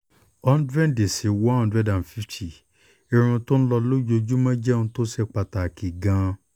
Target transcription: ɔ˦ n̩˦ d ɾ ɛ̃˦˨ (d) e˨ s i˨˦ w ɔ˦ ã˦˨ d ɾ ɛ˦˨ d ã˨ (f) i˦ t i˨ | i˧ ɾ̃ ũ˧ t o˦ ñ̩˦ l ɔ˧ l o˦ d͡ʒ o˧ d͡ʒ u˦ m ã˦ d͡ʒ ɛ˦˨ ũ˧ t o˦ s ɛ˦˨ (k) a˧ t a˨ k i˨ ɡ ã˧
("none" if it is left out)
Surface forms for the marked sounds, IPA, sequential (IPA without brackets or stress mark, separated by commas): d, f, k͡p